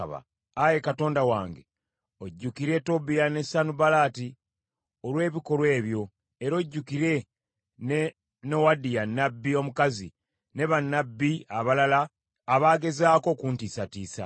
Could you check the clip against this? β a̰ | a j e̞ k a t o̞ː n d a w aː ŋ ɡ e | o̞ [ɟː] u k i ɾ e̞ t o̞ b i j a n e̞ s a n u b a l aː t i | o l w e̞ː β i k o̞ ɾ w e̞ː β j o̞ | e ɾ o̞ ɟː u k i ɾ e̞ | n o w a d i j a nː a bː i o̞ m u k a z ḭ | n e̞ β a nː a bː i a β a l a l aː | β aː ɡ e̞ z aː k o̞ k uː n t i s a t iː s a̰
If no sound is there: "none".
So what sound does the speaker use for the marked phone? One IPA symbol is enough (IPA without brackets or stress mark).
ɟː